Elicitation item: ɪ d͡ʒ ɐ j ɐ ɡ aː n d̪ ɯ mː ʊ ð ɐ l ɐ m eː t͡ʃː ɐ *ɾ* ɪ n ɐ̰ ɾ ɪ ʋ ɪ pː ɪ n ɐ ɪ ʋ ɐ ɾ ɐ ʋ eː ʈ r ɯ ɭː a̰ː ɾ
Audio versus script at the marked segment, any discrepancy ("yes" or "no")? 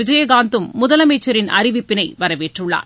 no